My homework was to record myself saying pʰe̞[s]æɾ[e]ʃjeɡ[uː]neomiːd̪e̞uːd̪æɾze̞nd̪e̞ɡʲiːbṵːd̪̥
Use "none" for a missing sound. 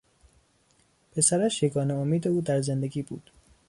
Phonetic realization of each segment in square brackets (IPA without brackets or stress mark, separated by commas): s, æ, ɒː